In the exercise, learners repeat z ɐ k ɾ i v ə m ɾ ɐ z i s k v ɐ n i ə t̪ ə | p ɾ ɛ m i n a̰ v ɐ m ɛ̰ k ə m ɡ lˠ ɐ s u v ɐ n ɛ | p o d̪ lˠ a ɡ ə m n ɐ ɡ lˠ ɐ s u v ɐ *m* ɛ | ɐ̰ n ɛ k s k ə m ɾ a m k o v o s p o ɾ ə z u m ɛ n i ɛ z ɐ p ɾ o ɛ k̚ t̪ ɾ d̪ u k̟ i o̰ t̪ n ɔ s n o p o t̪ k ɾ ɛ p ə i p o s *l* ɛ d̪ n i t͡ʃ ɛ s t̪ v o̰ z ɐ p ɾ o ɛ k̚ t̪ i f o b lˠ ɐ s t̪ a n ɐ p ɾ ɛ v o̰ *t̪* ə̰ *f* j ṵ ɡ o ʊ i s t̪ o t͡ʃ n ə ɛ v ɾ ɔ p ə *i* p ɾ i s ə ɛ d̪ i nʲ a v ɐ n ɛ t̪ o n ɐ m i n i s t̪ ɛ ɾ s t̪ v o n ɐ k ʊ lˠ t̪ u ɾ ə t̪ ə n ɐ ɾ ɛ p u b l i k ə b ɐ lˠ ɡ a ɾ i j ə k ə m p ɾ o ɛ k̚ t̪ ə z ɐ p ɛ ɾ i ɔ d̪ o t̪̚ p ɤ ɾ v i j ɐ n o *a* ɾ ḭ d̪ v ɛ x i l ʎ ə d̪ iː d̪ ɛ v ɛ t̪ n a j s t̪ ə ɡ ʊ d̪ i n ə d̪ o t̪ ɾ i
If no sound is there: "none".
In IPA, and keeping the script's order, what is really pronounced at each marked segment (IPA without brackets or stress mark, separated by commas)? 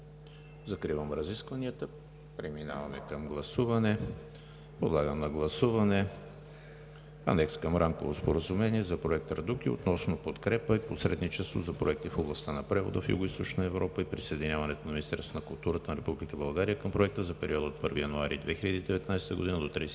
n, ɾ, d̪, f, i, a